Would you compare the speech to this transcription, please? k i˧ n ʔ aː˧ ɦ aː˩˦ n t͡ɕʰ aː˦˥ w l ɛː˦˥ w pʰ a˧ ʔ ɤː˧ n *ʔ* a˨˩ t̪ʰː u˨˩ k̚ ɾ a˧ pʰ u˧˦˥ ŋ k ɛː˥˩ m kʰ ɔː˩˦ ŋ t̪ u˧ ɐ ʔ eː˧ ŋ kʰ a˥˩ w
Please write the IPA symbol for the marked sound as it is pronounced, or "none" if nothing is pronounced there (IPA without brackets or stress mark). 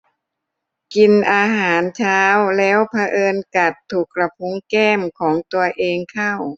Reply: k